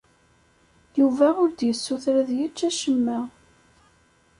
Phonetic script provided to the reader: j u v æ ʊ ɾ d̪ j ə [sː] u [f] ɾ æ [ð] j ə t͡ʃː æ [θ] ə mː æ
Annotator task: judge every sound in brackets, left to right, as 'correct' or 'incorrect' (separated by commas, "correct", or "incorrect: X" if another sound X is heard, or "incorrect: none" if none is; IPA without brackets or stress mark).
correct, incorrect: θ, correct, incorrect: ʃ